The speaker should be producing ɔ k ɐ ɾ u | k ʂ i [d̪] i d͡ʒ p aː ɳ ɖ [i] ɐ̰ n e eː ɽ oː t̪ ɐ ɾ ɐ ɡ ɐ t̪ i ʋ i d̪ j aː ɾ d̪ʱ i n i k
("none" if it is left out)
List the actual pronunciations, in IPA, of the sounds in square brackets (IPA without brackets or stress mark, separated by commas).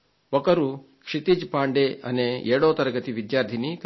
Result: t̪, e